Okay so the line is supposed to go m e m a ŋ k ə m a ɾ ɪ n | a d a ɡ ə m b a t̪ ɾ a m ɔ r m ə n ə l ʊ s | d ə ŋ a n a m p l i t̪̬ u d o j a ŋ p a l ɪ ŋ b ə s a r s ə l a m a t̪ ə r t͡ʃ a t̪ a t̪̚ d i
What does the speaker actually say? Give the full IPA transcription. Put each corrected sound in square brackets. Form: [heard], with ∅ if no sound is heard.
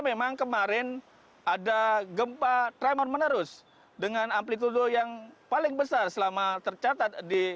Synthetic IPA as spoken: m e m a ŋ k ə m a ɾ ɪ n | a d a ɡ ə m [p] a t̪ ɾ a m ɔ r m ə n ə [ɾ] ʊ s | d ə ŋ a n a m p l i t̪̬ u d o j a ŋ p a l ɪ ŋ b ə s a r s ə l a m a t̪ ə r t͡ʃ a t̪ a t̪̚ d i

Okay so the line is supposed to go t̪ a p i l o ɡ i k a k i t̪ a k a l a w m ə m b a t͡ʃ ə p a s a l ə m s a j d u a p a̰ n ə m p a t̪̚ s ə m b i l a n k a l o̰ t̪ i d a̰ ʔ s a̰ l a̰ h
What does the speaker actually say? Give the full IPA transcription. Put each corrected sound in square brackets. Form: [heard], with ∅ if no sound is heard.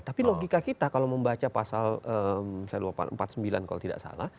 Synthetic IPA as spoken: t̪ a p i l o ɡ i k a k i t̪ a k a l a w m ə m b a t͡ʃ [a] p a s a l ə m s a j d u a p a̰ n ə m p a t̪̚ s ə m b i l a n k a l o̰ t̪ i d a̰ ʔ s a̰ l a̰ h

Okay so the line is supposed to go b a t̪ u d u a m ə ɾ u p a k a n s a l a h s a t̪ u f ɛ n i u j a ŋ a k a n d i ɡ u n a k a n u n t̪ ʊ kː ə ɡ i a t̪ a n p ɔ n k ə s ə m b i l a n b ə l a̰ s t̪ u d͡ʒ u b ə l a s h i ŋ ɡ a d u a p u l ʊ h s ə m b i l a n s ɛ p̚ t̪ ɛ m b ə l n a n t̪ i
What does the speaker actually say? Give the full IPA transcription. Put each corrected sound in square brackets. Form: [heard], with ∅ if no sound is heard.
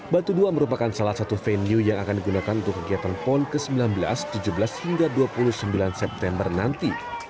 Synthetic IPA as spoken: b a t̪ u d u a m ə ɾ u p a k a n s a l a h s a t̪ u f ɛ n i u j a ŋ a k a n d i ɡ u n a k a n u n t̪ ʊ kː ə ɡ i a t̪ a n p ɔ n k ə s ə m b i l a n b ə l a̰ s t̪ u d͡ʒ u b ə l a s h i ŋ ɡ a d u a p u l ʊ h s ə m b i l a n s ɛ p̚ t̪ ɛ m b ə [r] n a n t̪ i

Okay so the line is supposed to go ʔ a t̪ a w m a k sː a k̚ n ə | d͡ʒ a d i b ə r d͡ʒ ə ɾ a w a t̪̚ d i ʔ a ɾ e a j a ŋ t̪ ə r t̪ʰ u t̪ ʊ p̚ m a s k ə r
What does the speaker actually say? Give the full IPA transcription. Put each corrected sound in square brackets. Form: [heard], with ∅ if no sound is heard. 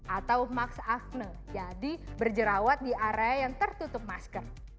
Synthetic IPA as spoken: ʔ a t̪ a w m a k [s] a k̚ n ə | d͡ʒ a d i b ə r d͡ʒ ə ɾ a w a t̪̚ d i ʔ a ɾ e a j a ŋ t̪ ə r [t̪] u t̪ ʊ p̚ m a s k ə r

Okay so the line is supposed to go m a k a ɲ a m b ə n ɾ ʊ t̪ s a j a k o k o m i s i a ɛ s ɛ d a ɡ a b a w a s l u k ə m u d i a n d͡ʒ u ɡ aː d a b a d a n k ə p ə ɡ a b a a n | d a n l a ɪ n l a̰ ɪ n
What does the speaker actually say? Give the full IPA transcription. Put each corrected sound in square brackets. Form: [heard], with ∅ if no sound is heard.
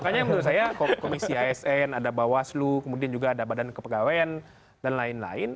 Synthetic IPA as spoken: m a k a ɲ a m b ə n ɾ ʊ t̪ s a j a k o k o m i s i a ɛ s ɛ [n] a [d] a b a w a s l u k ə m u d i a n d͡ʒ u ɡ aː d a b a d a n k ə p ə ɡ a [w] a a n | d a n l a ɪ n l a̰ ɪ n

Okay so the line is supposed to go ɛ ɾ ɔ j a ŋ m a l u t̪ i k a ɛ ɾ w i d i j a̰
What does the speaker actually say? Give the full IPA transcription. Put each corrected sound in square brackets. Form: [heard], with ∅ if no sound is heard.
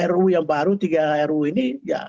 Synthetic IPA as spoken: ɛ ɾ [u] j a ŋ [b] a [ɾ] u t̪ i [ɡ] a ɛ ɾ [u] i [n] i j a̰

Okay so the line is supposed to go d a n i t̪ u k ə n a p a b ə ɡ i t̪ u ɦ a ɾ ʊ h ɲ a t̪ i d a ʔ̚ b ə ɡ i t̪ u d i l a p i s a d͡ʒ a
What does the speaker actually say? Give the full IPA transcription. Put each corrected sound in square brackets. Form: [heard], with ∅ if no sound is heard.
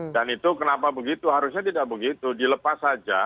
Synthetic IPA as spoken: d a n i t̪ u k ə n a p a b ə ɡ i t̪ u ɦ a ɾ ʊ [s] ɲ a t̪ i d a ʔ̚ b ə ɡ i t̪ u d i l [ə] p [a] s a d͡ʒ a

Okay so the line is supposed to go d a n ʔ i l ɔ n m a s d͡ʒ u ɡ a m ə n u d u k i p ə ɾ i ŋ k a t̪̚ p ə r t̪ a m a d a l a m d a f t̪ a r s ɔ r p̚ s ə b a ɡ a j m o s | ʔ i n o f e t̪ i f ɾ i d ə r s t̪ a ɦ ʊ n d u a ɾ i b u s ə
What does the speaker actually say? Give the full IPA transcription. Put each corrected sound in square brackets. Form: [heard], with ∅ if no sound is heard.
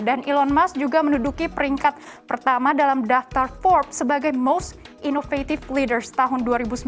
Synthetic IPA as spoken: d a n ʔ i l ɔ n m a s d͡ʒ u ɡ a m ə n u d u k i p ə ɾ i ŋ k a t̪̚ p ə r t̪ a m a d a l a m d a f t̪ a r [f] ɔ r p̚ s ə b a ɡ a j m o s | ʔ i n o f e t̪ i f [l] i d ə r s t̪ a ɦ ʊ n d u a ɾ i b u s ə

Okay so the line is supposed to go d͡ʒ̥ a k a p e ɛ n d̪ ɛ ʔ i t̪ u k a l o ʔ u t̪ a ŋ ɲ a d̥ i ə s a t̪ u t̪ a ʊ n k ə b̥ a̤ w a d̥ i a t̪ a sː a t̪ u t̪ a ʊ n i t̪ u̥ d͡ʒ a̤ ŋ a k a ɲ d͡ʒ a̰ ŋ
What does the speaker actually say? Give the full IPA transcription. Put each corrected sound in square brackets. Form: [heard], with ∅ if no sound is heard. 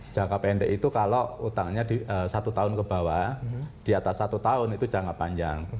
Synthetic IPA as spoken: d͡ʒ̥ a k a p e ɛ n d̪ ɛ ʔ i t̪ u k a l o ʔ u t̪ a ŋ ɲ a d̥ i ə s a t̪ u t̪ a ʊ n k ə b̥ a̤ w a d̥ i a t̪ a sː a t̪ u t̪ a ʊ n i t̪ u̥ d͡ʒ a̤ ŋ a [p] a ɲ d͡ʒ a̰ ŋ

